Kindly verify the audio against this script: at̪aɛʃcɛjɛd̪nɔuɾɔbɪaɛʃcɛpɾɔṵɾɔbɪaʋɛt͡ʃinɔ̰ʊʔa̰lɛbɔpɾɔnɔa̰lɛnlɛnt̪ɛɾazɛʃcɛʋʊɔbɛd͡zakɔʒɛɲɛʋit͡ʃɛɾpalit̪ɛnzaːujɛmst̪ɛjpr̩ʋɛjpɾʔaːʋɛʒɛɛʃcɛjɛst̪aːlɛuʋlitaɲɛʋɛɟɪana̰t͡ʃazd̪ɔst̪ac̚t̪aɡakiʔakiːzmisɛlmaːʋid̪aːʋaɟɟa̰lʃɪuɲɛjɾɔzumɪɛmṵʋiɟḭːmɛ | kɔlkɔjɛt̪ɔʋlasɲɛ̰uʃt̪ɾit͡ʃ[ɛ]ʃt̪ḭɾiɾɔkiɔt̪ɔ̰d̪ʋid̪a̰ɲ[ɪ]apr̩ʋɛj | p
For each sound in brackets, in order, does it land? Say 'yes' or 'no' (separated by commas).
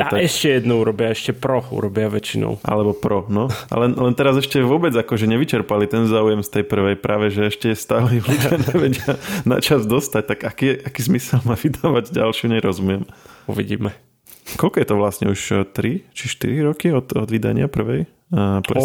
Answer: no, yes